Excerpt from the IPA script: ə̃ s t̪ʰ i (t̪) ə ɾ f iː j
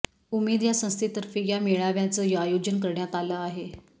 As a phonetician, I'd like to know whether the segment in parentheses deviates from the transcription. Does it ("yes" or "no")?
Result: no